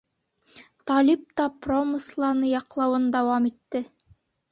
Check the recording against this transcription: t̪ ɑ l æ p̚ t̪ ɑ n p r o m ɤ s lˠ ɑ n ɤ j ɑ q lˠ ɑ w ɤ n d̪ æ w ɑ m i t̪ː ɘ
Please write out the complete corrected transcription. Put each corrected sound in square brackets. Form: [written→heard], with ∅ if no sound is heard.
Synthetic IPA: t̪ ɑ l [æ→i] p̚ t̪ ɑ [n→∅] p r o m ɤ s lˠ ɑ n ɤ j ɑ q lˠ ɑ w ɤ n d̪ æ w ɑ m i t̪ː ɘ